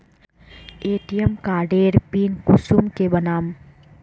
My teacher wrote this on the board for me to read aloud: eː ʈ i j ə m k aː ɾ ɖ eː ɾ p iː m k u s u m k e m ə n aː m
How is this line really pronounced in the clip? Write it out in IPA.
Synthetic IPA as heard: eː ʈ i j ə m k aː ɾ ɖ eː ɾ p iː n k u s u m k e b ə n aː m